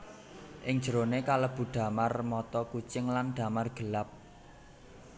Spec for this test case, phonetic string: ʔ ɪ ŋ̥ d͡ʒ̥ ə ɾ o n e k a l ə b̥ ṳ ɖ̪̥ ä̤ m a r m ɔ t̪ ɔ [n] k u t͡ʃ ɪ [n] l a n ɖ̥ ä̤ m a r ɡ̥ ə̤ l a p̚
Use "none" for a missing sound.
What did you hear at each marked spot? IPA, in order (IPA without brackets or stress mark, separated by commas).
none, ŋ